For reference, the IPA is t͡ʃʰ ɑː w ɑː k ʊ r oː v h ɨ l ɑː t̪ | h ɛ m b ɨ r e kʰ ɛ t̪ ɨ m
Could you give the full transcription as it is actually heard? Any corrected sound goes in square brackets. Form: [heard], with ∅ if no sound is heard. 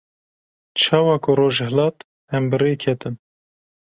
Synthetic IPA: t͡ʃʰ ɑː w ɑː k ʊ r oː [ʒ] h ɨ l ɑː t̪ | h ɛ m b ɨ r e kʰ ɛ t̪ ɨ [n]